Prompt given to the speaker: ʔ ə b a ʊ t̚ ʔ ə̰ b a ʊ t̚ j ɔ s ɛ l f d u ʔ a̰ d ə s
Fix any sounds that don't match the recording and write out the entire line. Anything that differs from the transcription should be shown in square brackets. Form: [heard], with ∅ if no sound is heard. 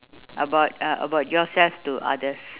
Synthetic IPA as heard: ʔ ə b a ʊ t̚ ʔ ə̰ b a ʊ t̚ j ɔ s ɛ l f [t] u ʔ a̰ d ə s